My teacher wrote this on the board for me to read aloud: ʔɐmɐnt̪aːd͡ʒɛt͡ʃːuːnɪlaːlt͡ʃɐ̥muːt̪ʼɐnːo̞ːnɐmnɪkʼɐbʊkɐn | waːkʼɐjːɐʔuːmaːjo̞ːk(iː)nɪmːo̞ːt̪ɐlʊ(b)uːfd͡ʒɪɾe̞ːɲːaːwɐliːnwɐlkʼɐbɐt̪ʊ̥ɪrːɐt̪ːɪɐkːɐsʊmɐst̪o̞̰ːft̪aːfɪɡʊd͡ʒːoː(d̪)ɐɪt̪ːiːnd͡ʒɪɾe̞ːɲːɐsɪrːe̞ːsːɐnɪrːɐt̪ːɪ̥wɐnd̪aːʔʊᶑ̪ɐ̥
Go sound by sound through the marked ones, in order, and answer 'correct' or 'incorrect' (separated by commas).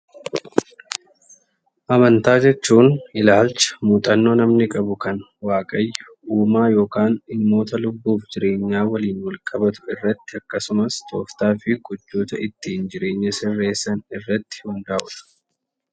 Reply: incorrect, incorrect, incorrect